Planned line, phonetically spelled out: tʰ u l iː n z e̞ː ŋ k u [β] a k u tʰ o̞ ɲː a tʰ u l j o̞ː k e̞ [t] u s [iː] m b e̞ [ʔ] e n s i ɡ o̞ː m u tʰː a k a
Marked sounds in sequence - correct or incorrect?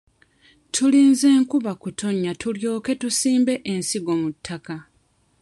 correct, correct, correct, correct

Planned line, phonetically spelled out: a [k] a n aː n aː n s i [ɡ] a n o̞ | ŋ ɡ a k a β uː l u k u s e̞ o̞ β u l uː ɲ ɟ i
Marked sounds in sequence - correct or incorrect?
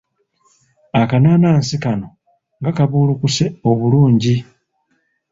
correct, incorrect

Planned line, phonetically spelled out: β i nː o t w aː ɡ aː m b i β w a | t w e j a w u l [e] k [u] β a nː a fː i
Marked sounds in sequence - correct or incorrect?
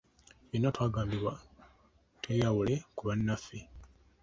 correct, correct

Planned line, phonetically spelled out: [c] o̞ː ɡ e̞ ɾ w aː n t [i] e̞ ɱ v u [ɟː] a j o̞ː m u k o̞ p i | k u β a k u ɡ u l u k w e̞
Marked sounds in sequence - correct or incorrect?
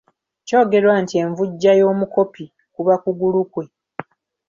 correct, correct, correct

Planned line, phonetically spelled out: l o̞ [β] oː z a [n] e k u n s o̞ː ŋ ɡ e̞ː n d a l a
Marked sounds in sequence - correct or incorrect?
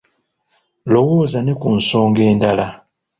incorrect, correct

